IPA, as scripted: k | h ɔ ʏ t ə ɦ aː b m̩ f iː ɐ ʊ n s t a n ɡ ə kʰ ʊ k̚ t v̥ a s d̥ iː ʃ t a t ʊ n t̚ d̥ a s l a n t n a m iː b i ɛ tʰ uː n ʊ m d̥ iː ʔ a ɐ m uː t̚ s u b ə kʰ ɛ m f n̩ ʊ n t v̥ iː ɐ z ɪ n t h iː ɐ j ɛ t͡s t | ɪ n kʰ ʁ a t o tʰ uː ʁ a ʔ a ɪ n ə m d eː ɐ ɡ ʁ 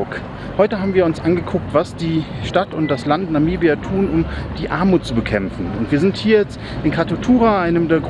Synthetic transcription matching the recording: k | h ɔ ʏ t ə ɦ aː b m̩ v iː ɐ ʊ n s ʔ a n ɡ ə kʰ ʊ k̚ t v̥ a s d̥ iː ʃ t a t ʊ n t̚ d̥ a s l a n t n a m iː b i a tʰ uː n ʊ m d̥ iː ʔ a ɐ m uː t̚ t͡s u b ə kʰ ɛ m f n̩ ʊ n t v̥ iː ɐ z ɪ n t h iː ɐ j ɛ t͡s t | ɪ n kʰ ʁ a t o tʰ uː ʁ a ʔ a ɪ n ə m d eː ɐ ɡ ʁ

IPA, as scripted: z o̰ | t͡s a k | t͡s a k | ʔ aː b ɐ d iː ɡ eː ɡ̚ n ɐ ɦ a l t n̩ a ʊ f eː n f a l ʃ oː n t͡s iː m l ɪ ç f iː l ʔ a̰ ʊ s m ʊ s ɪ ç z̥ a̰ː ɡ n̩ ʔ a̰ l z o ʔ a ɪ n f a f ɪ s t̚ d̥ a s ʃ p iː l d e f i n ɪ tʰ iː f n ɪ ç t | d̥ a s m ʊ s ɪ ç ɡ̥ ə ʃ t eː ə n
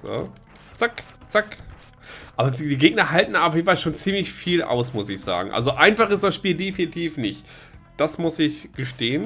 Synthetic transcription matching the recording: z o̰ | t͡s a k | t͡s a k | ʔ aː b ɐ d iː ɡ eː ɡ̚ n ɐ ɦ a l t n̩ a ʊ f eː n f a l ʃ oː n t͡s iː m l ɪ ç f iː l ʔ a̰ ʊ s m ʊ s ɪ ç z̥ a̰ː ɡ ŋ̩ ʔ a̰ l z o ʔ a ɪ n f a χ ɪ s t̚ d̥ a s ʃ p iː l d e f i n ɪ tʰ iː f n ɪ ç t | d̥ a s m ʊ s ɪ ç ɡ̥ ə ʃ t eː ə n

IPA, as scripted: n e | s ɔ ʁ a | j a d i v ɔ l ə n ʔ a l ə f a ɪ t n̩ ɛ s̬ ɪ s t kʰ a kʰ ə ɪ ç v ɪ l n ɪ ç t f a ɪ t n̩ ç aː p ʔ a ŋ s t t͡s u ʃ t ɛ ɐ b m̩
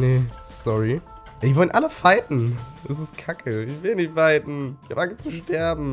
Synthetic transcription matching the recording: n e | s ɔ ʁ i | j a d i v ɔ l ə n ʔ a l ə f a ɪ t n̩ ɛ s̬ ɪ s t kʰ a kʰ ə ɪ ç v ɪ l n ɪ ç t f a ɪ t n̩ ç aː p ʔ a ŋ s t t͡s u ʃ t ɛ ɐ b m̩

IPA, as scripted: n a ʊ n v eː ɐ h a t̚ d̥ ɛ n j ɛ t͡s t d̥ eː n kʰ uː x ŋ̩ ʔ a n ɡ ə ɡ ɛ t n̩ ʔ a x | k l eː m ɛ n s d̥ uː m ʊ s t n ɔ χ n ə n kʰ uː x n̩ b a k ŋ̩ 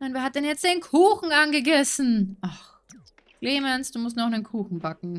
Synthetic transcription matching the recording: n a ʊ n v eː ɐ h a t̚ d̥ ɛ n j ɛ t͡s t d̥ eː n kʰ uː x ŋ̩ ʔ a n ɡ ə ɡ ɛ s n̩ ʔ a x | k l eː m ɛ n s d̥ uː m ʊ s t n ɔ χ n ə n kʰ uː x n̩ b a k ŋ̩

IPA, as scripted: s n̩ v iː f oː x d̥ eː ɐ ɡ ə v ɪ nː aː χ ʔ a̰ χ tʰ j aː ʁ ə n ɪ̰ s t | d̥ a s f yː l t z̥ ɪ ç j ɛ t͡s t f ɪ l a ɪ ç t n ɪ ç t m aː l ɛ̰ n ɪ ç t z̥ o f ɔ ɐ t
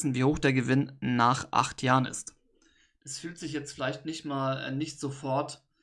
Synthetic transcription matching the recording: s n̩ v iː h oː x d̥ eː ɐ ɡ ə v ɪ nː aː χ ʔ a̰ χ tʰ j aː ʁ ə n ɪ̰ s t | d̥ a s f yː l t z̥ ɪ ç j ɛ t͡s t f ɪ l a ɪ ç t n ɪ ç t m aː l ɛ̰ n ɪ ç t z̥ o f ɔ ɐ t

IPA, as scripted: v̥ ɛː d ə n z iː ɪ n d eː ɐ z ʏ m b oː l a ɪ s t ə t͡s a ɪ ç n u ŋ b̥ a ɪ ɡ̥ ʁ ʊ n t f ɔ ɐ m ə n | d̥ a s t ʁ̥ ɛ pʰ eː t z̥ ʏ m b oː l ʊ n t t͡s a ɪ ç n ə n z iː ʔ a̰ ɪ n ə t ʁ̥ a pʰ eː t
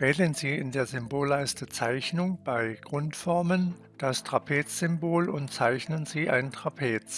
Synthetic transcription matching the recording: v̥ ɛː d ə n z iː ɪ n d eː ɐ z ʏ m b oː l a ɪ s t ə t͡s a ɪ ç n ʊ ŋ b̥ a ɪ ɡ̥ ʁ ʊ n t f ɔ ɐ m ə n | d̥ a s t ʁ̥ a pʰ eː t͡s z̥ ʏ m b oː l ʊ n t t͡s a ɪ ç n ə n z iː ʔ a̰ ɪ n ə t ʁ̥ a pʰ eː t͡s

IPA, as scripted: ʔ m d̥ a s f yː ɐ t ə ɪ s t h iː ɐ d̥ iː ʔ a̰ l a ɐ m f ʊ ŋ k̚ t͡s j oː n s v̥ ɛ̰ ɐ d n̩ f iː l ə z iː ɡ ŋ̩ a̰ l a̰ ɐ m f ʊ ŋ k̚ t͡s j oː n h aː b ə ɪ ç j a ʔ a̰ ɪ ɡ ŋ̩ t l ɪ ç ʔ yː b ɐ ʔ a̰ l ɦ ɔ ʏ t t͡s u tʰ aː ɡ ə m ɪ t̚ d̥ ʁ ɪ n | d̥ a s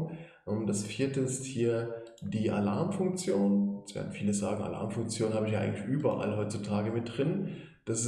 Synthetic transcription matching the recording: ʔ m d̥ a s f iː ɐ t ə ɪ s t h iː ɐ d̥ iː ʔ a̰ l a ɐ m f ʊ ŋ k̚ t͡s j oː n s v̥ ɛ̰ ɐ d n̩ f iː l ə z aː ɡ ŋ̩ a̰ l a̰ ɐ m f ʊ ŋ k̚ t͡s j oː n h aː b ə ɪ ç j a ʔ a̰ ɪ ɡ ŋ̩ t l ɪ ç ʔ yː b ɐ ʔ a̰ l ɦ ɔ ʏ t t͡s u tʰ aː ɡ ə m ɪ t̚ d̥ ʁ ɪ n | d̥ a s

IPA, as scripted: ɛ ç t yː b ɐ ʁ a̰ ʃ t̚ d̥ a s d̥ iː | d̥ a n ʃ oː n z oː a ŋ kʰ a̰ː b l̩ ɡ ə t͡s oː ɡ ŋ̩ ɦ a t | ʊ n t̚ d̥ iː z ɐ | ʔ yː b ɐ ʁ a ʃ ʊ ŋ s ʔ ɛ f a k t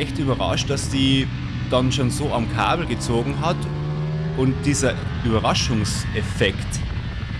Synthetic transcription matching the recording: ɛ ç t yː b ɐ ʁ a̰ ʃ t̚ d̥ a s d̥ iː | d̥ a n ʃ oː n z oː a m kʰ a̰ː b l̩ ɡ ə t͡s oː ɡ ŋ̩ ɦ a t | ʊ n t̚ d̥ iː z ɐ | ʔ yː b ɐ ʁ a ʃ ʊ ŋ s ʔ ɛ f ɛ k t

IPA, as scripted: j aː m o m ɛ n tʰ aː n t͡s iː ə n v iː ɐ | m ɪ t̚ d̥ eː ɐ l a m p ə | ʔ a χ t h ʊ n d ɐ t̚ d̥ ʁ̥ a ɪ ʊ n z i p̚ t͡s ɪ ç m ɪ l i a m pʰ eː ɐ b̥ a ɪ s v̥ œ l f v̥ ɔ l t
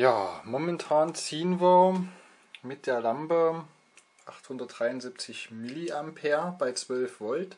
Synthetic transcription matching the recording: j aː m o m ɛ n tʰ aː n t͡s iː ə n v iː ɐ | m ɪ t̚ d̥ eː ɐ l a m p ə | ʔ a χ t h ʊ n d ɐ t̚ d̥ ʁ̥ a ɪ ʊ n z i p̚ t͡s ɪ ç m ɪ l i a m pʰ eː ɐ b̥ a ɪ t͡s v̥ œ l f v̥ ɔ l t

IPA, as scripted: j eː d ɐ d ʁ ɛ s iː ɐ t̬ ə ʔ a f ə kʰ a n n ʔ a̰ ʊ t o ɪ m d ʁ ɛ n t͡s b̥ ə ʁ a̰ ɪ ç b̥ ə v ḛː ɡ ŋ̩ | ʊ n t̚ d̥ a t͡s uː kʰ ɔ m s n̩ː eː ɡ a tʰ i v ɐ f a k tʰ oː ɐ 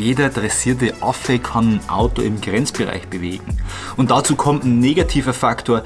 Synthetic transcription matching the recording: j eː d ɐ d ʁ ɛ s iː ɐ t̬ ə ʔ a f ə kʰ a n n ʔ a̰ ʊ t o ɪ m ɡ ʁ ɛ n t͡s b̥ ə ʁ a̰ ɪ ç b̥ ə v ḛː ɡ ŋ̩ | ʊ n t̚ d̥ a t͡s uː kʰ ɔ m t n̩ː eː ɡ a tʰ iː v ɐ f a k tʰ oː ɐ

